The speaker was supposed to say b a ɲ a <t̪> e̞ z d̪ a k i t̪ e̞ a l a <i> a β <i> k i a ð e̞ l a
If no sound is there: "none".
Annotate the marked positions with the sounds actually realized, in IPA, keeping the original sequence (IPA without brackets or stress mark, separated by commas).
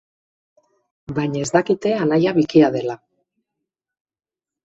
none, j, i